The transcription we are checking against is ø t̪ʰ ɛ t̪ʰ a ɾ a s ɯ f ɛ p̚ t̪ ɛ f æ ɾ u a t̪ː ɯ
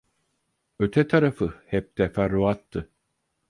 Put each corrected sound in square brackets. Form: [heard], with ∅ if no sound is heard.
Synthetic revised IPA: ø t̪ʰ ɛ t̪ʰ a ɾ a [f] ɯ [h] ɛ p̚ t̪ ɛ f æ ɾ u a t̪ː ɯ